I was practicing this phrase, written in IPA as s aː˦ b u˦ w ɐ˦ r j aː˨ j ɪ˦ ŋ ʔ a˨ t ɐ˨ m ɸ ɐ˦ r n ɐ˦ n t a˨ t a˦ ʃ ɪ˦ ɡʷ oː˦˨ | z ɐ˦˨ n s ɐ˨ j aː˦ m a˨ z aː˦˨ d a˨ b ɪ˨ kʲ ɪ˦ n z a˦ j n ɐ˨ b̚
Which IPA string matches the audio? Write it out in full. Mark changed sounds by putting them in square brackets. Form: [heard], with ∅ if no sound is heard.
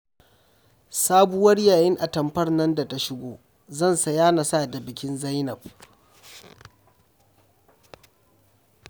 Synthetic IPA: s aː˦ b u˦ w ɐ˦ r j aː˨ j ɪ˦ ŋ ʔ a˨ t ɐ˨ m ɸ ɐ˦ r n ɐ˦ n [d] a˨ t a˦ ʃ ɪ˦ ɡʷ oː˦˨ | z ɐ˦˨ n s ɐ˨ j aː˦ [n] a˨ [s] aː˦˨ d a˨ b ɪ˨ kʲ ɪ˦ n z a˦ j n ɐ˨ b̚